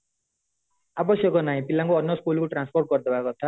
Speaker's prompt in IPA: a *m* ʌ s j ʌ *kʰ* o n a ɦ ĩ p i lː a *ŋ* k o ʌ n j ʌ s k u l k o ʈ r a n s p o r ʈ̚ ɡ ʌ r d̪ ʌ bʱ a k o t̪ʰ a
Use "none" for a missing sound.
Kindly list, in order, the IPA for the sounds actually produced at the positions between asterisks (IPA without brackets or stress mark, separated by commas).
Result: b, k, ŋ